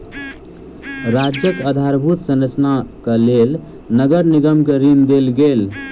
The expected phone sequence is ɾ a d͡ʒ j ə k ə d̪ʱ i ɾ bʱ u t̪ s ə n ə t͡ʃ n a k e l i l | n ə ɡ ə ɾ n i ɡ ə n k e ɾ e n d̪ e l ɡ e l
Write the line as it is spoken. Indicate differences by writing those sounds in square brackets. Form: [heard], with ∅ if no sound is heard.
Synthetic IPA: ɾ a d͡ʒ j ə k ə d̪ʱ [a] ɾ bʱ u t̪ s ə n ə t͡ʃ n a k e l [e] l | n ə ɡ ə ɾ n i ɡ ə [m] k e ɾ [i] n d̪ e l ɡ e l